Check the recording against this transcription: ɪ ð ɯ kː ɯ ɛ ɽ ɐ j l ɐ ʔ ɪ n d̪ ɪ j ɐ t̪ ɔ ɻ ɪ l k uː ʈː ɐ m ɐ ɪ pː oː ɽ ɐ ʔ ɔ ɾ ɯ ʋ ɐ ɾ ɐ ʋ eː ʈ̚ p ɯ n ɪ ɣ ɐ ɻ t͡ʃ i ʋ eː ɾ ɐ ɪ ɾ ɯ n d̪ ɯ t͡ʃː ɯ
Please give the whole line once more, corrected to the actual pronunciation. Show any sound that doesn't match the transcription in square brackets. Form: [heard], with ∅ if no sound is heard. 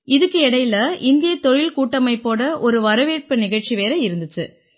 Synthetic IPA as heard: ɪ ð ɯ kː ɯ ɛ ɽ ɐ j l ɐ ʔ ɪ n d̪ ɪ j ɐ t̪ ɔ ɻ ɪ l k uː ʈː ɐ m ɐ ɪ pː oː ɽ ɐ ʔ ɔ ɾ ɯ ʋ ɐ ɾ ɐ ʋ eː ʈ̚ p ɯ n ɪ ɣ ɐ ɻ t͡ʃ i ʋ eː ɾ ɐ ɪ ɾ ɯ n d̪ ɯ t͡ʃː ɯ